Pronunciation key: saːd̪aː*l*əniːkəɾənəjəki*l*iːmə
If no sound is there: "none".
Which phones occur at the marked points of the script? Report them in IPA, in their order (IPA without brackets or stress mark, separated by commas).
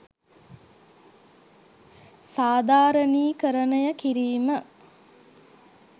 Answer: ɾ, ɾ